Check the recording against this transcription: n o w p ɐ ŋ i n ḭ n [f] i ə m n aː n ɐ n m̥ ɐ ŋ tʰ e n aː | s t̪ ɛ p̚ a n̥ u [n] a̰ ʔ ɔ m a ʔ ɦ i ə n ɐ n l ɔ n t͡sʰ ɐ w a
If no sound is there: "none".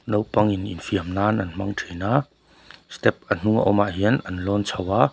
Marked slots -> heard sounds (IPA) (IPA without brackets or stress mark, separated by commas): f, ŋ